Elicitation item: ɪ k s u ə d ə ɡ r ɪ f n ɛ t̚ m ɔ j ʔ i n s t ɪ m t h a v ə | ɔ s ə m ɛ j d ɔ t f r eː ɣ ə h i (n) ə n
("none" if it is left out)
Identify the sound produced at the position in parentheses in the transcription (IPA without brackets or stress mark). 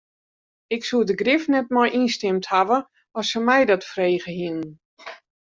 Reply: n